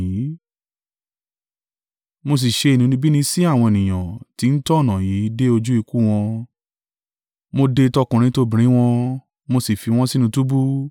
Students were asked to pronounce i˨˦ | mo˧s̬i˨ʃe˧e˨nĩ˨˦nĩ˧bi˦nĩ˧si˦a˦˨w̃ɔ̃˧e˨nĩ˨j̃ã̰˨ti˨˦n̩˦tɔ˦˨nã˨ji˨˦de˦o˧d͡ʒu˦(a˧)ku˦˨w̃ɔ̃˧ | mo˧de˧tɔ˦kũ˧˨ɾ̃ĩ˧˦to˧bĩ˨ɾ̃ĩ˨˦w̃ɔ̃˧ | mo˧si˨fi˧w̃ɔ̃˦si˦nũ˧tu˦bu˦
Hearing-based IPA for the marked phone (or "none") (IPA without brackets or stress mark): i˧